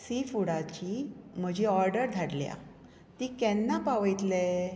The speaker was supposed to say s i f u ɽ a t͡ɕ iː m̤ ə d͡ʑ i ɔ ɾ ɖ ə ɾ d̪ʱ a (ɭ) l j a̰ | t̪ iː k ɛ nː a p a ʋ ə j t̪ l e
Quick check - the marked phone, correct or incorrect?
incorrect